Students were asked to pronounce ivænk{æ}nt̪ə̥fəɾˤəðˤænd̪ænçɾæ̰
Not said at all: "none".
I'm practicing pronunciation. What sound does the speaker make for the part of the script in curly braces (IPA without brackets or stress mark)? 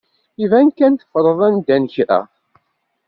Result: æ